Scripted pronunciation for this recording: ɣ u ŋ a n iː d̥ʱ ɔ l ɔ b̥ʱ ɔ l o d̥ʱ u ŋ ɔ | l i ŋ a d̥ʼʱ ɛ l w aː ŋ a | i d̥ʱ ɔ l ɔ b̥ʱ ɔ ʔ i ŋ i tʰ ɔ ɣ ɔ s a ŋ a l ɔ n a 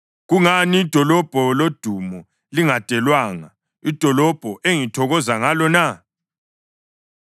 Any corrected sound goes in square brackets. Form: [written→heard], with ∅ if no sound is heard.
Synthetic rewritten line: ɣ u ŋ a n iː d̥ʱ ɔ l ɔ b̥ʱ ɔ l o d̥ʱ u [ŋ→m] ɔ | l i ŋ a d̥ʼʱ ɛ l w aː ŋ a | i d̥ʱ ɔ l ɔ b̥ʱ ɔ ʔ [i→e] ŋ i tʰ ɔ ɣ ɔ [s→z] a ŋ a l ɔ n a